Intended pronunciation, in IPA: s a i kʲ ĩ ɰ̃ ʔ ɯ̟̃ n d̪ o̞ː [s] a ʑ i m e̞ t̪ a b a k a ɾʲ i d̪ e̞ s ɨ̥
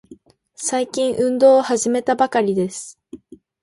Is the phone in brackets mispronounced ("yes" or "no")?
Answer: yes